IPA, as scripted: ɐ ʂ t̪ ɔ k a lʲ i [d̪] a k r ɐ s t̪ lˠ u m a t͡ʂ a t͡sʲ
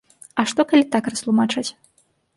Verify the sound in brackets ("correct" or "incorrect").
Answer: incorrect